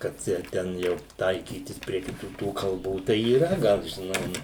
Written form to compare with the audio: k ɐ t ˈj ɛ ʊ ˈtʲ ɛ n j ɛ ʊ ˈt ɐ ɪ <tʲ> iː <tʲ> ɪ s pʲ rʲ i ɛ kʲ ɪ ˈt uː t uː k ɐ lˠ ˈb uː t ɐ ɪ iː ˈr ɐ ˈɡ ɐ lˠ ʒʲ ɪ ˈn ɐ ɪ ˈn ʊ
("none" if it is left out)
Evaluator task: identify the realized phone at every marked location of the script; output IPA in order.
kʲ, tʲ

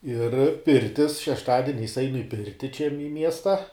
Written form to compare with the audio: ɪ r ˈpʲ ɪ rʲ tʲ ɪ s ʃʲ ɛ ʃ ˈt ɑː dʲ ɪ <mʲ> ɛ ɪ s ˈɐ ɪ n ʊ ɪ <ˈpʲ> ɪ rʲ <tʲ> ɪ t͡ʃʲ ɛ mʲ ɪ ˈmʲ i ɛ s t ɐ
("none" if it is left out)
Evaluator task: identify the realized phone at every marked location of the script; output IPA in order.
nʲ, pʲ, tʲ

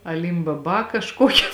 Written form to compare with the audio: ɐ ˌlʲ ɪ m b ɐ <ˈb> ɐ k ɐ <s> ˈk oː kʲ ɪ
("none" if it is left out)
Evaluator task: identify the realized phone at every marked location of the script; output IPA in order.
b, ʃ

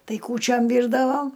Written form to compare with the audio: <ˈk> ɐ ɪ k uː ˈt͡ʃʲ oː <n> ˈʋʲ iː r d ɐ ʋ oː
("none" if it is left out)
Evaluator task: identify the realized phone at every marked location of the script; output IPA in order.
t, m

